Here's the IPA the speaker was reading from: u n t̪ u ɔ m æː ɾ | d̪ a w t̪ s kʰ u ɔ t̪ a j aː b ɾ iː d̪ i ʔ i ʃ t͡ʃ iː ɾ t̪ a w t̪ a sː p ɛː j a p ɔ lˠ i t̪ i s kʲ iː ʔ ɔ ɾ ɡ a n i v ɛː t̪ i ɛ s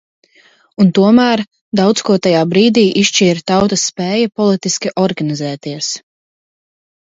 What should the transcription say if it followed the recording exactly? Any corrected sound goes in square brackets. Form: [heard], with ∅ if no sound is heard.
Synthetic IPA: u n t̪ u ɔ m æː ɾ | d̪ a w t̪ s [k] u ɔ t̪ a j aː b ɾ iː d̪ [iː] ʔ i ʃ t͡ʃ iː ɾ t̪ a w t̪ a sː p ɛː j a p ɔ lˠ i t̪ i s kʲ [i] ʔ ɔ ɾ ɡ a n i [z] ɛː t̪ i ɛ s